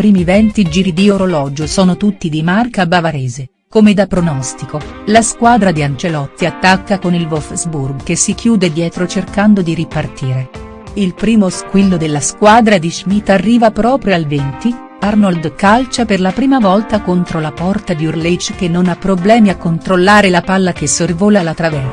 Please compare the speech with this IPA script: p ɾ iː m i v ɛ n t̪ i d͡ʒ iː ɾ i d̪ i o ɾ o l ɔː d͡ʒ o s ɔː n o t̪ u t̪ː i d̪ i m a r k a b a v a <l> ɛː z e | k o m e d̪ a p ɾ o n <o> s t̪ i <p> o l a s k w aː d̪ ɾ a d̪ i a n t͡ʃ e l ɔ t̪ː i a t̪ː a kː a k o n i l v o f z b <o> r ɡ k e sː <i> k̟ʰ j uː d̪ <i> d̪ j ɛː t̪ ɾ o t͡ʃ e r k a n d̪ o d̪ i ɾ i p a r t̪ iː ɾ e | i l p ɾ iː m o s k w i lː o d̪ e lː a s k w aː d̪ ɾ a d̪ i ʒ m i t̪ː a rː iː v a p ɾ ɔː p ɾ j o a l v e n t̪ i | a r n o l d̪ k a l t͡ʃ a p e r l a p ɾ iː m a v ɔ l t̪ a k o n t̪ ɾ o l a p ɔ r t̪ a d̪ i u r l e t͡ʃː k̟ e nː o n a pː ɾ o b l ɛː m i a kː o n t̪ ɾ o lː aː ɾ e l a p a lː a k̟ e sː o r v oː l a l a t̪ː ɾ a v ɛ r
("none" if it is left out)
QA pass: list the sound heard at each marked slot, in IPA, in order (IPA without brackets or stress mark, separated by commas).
ɾ, ɔ, k, u, i, e